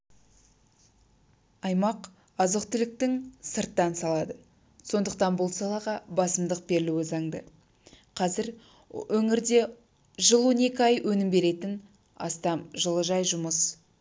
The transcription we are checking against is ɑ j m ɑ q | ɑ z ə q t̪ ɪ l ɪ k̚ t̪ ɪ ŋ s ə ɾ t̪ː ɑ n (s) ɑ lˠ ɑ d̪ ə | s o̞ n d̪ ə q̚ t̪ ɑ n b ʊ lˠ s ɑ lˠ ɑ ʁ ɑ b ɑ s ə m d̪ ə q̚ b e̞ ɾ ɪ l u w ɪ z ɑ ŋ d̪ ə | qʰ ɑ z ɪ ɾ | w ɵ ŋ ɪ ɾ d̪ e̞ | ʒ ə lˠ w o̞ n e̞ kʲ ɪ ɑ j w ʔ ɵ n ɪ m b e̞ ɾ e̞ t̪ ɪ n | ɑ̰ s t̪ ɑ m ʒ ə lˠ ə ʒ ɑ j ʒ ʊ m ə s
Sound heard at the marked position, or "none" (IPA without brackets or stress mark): s